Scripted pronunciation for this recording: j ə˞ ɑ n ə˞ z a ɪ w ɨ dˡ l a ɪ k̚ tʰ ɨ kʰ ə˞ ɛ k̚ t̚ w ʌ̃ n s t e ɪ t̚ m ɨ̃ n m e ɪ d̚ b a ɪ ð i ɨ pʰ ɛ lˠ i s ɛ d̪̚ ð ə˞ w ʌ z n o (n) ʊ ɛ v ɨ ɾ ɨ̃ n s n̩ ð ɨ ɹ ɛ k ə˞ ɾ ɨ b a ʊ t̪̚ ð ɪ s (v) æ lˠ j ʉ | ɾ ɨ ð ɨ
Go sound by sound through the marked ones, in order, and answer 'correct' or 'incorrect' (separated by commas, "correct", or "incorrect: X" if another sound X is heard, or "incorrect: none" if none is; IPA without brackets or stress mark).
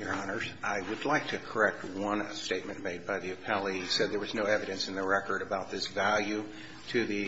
incorrect: none, correct